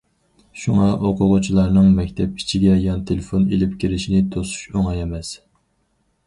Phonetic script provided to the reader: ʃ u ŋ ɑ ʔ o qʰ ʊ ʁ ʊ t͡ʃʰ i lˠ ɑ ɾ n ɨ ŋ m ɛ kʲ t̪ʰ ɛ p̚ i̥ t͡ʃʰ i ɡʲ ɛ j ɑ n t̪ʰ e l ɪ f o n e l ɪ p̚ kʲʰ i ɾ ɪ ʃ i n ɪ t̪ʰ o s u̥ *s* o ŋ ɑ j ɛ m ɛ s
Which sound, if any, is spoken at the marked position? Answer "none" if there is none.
ʃ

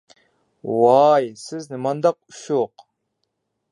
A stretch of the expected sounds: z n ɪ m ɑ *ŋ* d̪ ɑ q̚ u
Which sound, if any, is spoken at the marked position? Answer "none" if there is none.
n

